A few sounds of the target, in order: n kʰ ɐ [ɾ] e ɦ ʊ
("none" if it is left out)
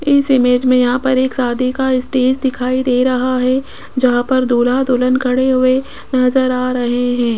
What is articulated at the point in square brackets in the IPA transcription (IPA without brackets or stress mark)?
ɽ